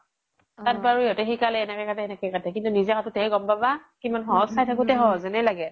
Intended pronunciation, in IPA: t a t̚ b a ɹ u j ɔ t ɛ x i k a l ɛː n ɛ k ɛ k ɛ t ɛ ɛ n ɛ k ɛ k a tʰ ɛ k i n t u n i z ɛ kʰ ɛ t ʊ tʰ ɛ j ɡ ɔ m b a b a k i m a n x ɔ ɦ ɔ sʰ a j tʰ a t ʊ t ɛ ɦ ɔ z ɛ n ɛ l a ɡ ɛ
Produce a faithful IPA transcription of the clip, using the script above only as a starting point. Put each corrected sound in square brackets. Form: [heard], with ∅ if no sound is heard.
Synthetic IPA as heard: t a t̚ b a ɹ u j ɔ t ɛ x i k a l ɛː n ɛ k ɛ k [a] t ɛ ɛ n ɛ k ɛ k a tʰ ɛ k i n t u n i z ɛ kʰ [a] t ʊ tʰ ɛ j ɡ ɔ m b a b a k i m a n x ɔ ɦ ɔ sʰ a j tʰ a [k] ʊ t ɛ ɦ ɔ z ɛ n ɛ l a ɡ ɛ